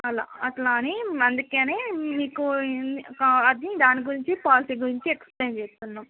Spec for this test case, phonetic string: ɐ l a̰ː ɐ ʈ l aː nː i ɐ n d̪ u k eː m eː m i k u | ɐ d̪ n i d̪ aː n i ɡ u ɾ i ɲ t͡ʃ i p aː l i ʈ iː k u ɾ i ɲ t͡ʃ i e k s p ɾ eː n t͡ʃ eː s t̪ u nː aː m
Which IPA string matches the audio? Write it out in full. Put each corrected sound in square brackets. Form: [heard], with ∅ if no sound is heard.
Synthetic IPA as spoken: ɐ l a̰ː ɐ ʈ l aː [n] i ɐ n d̪ u k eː [n] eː m [iː] k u | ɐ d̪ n i d̪ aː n i ɡ u ɾ i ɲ t͡ʃ i p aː l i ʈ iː [ɡ] u ɾ i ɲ t͡ʃ i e k s p [l] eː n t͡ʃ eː s t̪ u nː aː m